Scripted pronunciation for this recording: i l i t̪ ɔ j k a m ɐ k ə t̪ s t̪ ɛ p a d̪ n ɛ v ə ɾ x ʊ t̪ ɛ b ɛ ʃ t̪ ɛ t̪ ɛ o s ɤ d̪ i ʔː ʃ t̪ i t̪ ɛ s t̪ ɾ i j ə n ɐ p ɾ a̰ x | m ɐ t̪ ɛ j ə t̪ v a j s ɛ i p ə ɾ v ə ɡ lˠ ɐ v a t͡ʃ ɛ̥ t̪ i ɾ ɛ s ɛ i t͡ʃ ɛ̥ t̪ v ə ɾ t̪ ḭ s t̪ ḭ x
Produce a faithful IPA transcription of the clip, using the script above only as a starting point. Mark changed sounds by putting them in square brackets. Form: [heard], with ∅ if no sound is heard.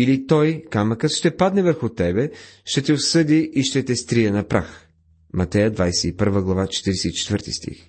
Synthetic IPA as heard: i l i t̪ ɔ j k a m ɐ k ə t̪ [ʃ] t̪ ɛ p a d̪ n ɛ v ə ɾ x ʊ t̪ ɛ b ɛ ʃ t̪ ɛ t̪ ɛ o s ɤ d̪ i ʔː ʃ t̪ [ɛ] t̪ ɛ s t̪ ɾ i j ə n ɐ p ɾ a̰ x | m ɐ t̪ ɛ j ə [d̪] v a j s ɛ i p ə ɾ v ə ɡ lˠ ɐ v a t͡ʃ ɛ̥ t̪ i ɾ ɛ s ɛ i t͡ʃ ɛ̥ t̪ v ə ɾ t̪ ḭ s t̪ ḭ x